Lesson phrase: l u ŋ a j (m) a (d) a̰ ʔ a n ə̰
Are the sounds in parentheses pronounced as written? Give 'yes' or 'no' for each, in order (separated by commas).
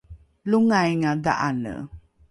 no, yes